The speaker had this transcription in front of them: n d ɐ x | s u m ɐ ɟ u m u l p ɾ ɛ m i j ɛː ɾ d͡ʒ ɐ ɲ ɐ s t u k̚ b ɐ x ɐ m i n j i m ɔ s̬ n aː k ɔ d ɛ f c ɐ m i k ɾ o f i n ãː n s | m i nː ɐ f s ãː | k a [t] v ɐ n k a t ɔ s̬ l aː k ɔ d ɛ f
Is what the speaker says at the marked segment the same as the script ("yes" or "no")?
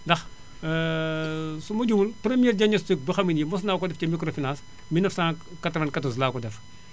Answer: yes